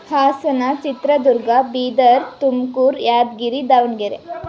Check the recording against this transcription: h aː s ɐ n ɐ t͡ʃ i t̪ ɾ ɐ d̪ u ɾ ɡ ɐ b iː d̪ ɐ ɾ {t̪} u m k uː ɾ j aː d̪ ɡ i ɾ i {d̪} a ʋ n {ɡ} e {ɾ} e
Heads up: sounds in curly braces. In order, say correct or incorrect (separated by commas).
correct, correct, correct, correct